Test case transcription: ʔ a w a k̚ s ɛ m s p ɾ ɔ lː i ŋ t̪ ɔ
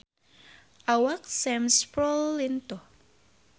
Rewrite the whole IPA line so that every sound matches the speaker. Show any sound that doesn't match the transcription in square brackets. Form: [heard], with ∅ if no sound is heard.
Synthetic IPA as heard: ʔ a w a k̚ s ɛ m s p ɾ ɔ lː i [n] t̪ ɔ